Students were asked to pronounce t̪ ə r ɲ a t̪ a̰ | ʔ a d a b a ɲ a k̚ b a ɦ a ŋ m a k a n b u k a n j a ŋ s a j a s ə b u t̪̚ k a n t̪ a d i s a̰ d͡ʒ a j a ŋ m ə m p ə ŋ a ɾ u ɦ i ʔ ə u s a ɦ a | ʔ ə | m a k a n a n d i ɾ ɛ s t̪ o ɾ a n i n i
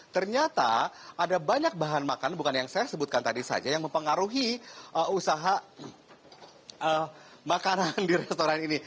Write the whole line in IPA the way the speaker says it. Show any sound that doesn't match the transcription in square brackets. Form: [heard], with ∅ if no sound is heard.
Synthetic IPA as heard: t̪ ə r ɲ a t̪ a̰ | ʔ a d a b a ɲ a k̚ b a ɦ a [n] m a k a n b u k a n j a ŋ s a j a s ə b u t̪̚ k a n t̪ a d i s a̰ d͡ʒ a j a ŋ m ə m p ə ŋ a ɾ u ɦ i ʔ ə u s a ɦ a | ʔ ə | m a k a n a n d i ɾ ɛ s t̪ o ɾ a n i n i